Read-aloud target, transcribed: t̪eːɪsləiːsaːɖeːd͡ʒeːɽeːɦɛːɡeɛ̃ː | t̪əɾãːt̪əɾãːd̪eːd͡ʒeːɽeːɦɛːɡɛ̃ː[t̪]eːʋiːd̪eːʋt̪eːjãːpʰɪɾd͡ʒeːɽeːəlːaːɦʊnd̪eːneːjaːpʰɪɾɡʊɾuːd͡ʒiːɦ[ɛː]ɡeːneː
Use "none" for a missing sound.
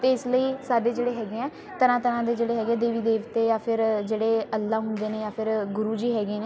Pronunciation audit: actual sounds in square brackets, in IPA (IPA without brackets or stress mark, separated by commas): d̪, ɛː